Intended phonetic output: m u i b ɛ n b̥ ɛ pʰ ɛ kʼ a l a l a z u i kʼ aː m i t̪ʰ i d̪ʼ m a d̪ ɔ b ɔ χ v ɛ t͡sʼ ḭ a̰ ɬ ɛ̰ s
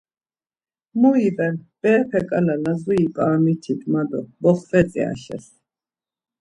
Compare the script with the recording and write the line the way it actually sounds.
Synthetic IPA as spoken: m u i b ɛ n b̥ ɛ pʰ ɛ kʼ a l a l a z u i pʼ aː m i t̪ʰ i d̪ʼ m a d̪ ɔ b ɔ χ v ɛ t͡sʼ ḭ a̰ ɬ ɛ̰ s